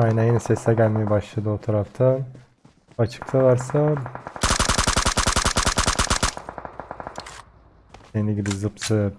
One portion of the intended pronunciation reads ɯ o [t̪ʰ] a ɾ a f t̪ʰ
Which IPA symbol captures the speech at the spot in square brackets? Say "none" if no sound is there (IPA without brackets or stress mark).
t̪ʰ